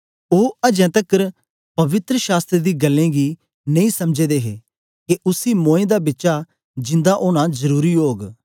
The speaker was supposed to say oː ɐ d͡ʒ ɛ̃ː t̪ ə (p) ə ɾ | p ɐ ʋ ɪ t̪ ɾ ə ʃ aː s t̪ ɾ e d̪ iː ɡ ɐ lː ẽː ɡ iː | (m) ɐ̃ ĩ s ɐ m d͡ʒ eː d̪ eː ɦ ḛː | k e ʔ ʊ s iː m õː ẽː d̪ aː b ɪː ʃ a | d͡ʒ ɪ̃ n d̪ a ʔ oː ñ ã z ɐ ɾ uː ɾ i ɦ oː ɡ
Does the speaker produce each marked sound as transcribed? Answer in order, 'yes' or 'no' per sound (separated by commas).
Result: no, no